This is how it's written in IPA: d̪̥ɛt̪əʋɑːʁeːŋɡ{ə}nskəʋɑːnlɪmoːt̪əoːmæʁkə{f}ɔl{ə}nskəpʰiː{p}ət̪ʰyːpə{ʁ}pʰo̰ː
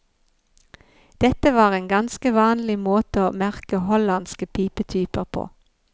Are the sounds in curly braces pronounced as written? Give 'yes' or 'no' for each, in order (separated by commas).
no, no, no, yes, yes